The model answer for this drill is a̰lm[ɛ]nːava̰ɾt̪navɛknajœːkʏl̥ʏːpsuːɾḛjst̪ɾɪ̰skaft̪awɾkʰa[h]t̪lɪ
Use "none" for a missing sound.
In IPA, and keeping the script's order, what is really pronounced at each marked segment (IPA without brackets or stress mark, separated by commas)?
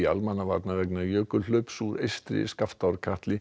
a, h